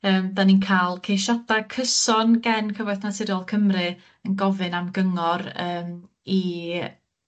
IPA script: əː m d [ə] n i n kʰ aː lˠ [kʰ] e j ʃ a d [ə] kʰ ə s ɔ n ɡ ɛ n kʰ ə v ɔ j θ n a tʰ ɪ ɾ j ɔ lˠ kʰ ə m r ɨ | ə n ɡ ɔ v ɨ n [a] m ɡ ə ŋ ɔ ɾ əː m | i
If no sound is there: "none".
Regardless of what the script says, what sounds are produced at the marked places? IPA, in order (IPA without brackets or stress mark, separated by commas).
a, kʰ, a, a